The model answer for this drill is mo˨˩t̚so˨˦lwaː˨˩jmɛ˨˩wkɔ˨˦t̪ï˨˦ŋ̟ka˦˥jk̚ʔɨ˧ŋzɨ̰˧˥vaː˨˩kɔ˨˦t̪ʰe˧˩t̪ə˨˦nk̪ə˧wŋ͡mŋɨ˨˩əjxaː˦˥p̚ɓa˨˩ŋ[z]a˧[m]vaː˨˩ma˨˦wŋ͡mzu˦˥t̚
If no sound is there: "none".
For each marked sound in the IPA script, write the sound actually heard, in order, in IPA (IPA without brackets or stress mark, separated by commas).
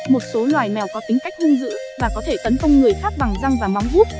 z, ŋ